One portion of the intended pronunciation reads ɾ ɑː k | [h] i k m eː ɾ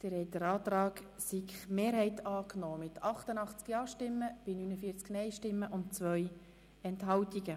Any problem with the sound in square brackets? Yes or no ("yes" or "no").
yes